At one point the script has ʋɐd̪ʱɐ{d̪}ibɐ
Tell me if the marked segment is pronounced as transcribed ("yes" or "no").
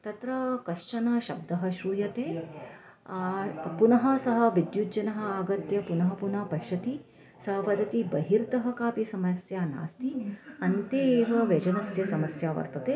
no